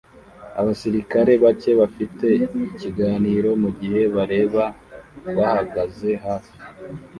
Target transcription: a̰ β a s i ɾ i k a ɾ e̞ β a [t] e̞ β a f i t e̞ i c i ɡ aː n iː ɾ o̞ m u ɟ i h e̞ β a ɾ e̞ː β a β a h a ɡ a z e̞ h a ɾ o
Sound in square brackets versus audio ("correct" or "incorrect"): incorrect